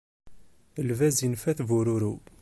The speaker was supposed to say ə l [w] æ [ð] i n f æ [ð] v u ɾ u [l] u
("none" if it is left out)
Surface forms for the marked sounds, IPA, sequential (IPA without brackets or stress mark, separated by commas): v, z, θ, ɾ